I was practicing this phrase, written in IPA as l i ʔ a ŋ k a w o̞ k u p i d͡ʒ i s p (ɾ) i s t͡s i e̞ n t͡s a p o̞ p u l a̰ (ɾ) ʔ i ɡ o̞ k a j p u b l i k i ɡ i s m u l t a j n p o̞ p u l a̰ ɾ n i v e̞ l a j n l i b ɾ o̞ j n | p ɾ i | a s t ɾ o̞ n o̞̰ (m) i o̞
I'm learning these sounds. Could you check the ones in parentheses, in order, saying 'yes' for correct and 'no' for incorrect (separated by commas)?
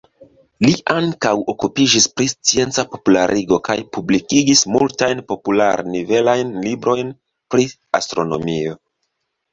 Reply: yes, yes, yes